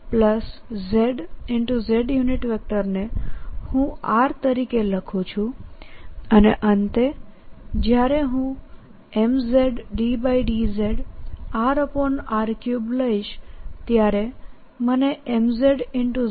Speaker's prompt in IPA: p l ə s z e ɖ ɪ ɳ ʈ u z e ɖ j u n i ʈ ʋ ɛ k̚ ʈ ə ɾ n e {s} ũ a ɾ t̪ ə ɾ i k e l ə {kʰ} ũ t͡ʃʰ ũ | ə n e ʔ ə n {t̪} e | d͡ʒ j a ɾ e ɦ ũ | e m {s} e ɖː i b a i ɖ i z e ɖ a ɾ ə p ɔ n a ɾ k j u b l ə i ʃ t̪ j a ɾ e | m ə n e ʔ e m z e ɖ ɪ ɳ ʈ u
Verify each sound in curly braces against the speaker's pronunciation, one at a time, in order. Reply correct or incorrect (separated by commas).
incorrect, correct, correct, incorrect